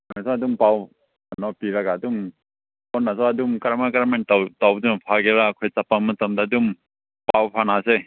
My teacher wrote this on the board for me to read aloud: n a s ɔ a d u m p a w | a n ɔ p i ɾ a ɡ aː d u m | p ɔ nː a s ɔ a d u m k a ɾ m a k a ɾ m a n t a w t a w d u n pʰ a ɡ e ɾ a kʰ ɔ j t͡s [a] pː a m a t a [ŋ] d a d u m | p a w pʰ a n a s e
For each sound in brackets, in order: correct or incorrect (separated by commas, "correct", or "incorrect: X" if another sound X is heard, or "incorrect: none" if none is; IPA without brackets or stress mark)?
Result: correct, incorrect: m